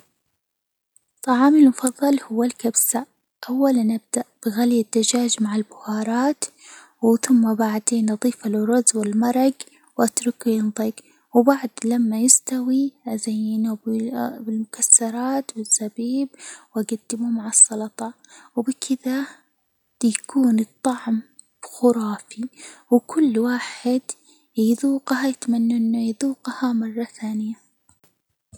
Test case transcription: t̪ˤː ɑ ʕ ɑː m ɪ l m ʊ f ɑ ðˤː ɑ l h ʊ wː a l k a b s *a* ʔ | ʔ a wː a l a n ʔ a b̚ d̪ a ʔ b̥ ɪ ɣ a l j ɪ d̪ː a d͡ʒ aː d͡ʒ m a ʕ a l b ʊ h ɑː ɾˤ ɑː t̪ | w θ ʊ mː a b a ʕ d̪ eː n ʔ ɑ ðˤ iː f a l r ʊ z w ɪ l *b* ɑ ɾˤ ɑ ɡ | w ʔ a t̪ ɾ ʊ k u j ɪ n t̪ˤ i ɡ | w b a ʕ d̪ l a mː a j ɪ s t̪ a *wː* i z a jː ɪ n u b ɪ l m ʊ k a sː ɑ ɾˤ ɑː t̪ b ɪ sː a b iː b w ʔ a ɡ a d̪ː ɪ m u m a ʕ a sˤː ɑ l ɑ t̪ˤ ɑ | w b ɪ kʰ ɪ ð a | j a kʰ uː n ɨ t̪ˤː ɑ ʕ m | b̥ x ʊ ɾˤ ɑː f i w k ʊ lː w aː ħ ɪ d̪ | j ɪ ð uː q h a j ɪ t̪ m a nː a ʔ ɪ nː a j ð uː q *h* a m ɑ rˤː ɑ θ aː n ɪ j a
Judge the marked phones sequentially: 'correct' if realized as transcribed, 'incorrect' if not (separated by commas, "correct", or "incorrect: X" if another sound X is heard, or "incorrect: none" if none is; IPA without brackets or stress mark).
correct, incorrect: m, incorrect: w, correct